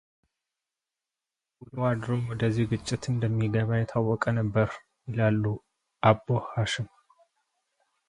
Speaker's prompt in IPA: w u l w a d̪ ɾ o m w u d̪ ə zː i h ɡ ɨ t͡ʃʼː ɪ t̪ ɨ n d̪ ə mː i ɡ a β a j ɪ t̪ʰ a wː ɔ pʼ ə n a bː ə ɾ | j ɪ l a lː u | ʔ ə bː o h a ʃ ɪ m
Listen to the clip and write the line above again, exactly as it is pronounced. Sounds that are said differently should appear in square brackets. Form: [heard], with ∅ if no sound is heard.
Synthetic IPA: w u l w a d̪ ɾ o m w [ɔ] d̪ ə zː i h ɡ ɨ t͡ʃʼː ɪ t̪ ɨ n d̪ ə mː i ɡ [ə] β a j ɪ t̪ʰ a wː ɔ [kʼ] ə n [ə] bː ə ɾ | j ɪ l a lː u | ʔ [a] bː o h a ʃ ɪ m